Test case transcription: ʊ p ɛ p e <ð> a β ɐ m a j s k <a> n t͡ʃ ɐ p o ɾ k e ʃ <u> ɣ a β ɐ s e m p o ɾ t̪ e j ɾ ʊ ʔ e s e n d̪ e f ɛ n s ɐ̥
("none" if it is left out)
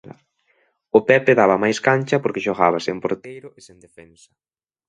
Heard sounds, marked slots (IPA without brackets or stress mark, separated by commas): ð, a, o